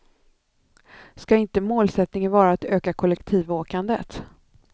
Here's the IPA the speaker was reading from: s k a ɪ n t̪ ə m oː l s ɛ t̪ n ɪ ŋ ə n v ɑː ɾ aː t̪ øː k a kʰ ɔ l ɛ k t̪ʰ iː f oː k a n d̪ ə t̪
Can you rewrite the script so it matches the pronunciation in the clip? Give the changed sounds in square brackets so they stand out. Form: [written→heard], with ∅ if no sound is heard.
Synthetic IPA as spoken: s k a ɪ n t̪ ə m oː l s ɛ t̪ n ɪ ŋ ə n v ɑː ɾ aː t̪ øː k a kʰ ɔ l ɛ k t̪ʰ iː [f→v] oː k a n d̪ ə t̪

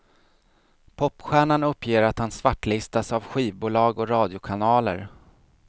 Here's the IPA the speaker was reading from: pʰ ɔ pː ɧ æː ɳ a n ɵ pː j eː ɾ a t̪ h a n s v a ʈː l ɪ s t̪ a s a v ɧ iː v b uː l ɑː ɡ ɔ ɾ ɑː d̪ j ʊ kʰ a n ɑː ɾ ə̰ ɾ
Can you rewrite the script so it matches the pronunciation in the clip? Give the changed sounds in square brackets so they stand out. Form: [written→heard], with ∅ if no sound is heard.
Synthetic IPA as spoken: pʰ ɔ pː ɧ æː ɳ a n ɵ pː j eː ɾ a t̪ h a n s v a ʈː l ɪ s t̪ a s a v ɧ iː v b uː l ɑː ɡ ɔ ɾ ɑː d̪ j ʊ kʰ a n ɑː [ɾ→l] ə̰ ɾ

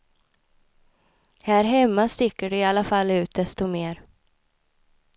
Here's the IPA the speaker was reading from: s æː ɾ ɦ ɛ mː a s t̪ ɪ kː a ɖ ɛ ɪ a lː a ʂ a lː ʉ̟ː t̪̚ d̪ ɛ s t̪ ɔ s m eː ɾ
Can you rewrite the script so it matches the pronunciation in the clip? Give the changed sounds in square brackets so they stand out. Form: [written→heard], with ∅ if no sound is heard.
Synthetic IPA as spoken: [s→h] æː ɾ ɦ ɛ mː a s t̪ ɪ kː [a→ə] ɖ ɛ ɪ a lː a [ʂ→f] a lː ʉ̟ː t̪̚ d̪ ɛ s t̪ ɔ [s→∅] m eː ɾ

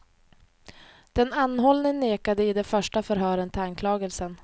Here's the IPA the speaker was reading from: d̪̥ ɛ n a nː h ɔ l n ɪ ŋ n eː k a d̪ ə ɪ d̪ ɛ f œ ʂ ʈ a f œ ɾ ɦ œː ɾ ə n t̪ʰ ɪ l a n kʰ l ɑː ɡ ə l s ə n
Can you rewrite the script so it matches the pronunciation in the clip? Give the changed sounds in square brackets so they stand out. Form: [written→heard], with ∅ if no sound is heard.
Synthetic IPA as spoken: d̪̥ ɛ n a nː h ɔ l n ɪ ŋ n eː k a d̪ ə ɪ d̪ ɛ f œ ʂ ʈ a f œ ɾ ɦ œː ɾ ə n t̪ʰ ɪ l a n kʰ l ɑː ɡ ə l s ə n

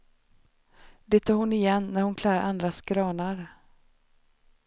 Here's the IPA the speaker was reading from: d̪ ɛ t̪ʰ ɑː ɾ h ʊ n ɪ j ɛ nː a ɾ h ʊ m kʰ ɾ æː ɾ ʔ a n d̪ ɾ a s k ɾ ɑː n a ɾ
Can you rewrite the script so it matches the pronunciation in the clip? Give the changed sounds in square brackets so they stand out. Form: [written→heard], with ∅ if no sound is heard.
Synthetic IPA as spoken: d̪ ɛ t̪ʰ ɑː ɾ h ʊ n ɪ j ɛ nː [a→æ] ɾ h ʊ [m→n] kʰ [ɾ→l] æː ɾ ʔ a n d̪ ɾ a s k ɾ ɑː n a ɾ

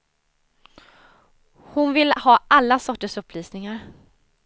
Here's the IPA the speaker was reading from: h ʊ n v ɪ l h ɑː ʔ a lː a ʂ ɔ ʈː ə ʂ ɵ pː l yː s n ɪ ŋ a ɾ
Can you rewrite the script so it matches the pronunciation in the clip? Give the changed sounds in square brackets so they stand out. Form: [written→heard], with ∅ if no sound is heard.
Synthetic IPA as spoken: h ʊ n v ɪ l h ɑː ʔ a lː a [ʂ→s] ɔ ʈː ə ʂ ɵ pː l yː s n ɪ ŋ a ɾ

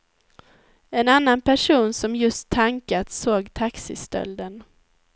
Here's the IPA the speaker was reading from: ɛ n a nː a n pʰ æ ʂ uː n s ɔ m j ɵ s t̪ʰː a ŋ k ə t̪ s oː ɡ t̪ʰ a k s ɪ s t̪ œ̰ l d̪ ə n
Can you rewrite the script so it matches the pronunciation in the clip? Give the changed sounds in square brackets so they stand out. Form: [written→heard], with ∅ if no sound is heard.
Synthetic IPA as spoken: ɛ n a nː a n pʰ æ ʂ uː n s ɔ m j ɵ s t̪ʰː a ŋ k [ə→a] t̪ s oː ɡ t̪ʰ a k s ɪ s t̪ œ̰ l d̪ ə n

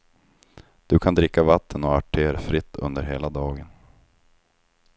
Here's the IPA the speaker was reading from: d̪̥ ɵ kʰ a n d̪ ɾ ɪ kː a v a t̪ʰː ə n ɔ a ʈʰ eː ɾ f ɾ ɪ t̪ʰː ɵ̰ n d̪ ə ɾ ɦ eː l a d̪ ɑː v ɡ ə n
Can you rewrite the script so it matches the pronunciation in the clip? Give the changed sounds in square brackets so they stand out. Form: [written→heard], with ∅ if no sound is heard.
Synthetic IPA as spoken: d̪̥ ɵ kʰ a n d̪ ɾ ɪ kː a v a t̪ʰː ə n ɔ a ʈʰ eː ɾ f ɾ ɪ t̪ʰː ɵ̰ n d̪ ə ɾ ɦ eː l a d̪ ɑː [v→∅] ɡ ə n

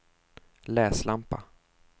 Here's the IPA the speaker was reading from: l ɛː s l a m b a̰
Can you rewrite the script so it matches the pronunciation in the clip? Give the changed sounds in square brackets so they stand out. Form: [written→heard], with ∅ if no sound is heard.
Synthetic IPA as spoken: l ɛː s l a m [b→p] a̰

